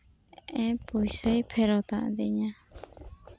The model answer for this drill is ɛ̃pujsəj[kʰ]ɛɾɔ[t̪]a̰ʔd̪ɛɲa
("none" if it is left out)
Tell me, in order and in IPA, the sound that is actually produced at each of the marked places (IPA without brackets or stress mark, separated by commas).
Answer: pʰ, t̪